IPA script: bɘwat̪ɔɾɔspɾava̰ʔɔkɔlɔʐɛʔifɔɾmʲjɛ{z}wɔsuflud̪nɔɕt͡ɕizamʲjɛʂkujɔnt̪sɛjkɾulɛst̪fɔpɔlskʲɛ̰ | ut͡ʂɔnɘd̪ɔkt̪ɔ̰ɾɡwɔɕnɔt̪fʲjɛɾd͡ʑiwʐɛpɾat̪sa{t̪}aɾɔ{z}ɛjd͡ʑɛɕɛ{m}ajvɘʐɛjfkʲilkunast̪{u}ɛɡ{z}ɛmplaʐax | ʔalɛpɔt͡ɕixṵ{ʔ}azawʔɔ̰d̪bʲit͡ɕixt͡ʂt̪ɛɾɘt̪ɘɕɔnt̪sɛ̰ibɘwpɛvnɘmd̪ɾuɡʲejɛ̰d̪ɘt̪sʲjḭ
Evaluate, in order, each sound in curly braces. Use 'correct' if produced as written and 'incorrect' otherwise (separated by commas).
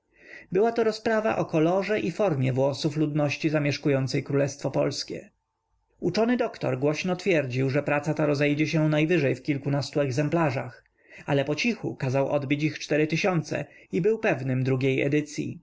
incorrect, correct, correct, incorrect, correct, correct, incorrect